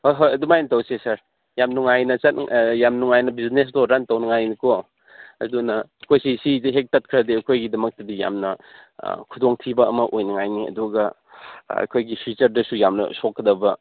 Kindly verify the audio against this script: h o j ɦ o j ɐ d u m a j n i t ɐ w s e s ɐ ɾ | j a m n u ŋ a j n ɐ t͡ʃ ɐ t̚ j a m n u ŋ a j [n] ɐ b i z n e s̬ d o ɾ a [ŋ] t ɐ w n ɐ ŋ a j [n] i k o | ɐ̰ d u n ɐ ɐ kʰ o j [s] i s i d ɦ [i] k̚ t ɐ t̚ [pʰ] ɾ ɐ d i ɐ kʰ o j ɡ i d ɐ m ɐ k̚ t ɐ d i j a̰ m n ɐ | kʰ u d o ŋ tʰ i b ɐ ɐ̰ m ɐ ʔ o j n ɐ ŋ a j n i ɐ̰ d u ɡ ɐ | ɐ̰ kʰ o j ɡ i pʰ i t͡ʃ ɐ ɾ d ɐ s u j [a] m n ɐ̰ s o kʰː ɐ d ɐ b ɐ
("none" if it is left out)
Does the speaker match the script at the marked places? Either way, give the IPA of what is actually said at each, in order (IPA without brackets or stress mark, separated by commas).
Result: n, n, n, s, e, kʰ, a